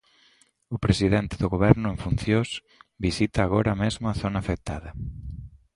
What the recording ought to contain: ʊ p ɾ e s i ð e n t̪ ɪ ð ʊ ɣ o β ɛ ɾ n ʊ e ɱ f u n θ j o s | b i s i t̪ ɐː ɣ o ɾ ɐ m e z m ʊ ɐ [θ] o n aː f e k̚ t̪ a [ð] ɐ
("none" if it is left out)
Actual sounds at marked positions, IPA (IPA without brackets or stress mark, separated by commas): θ, ð